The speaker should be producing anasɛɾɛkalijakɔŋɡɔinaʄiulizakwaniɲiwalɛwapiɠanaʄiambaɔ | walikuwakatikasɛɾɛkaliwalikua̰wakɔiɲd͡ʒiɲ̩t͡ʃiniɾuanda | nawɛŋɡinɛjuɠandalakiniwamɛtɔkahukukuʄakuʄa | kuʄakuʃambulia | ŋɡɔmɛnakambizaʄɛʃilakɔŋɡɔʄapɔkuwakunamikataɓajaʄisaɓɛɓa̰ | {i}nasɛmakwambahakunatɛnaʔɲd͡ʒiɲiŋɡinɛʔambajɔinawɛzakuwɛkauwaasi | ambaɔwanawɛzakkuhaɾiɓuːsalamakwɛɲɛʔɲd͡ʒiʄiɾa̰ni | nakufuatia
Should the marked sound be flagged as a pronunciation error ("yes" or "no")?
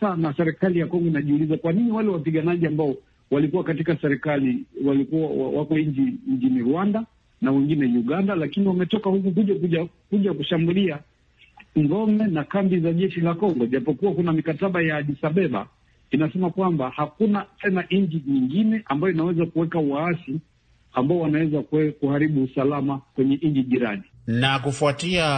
no